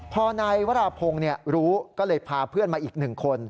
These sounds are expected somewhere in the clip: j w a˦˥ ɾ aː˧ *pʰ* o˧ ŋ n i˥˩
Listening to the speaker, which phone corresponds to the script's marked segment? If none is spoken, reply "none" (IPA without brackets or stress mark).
pʰ